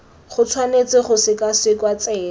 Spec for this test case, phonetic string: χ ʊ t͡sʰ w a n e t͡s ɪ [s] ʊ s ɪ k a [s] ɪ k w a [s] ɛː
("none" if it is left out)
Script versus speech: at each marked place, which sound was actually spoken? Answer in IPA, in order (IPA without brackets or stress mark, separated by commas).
χ, s, t͡s